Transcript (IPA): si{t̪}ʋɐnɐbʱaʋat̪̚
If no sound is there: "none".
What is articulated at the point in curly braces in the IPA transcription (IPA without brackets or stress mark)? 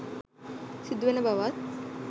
d̪